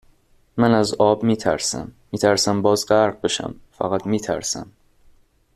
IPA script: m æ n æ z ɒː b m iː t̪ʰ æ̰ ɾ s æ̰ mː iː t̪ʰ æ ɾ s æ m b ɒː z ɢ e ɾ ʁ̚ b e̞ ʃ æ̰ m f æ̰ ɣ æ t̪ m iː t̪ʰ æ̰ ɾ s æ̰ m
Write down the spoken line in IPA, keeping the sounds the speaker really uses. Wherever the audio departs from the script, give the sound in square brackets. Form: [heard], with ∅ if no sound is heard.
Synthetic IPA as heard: m æ n æ z ɒː b m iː t̪ʰ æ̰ ɾ s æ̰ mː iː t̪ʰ æ ɾ s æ m b ɒː z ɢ [æ] ɾ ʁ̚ b e̞ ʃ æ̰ m f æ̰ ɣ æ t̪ m iː t̪ʰ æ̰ ɾ s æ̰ m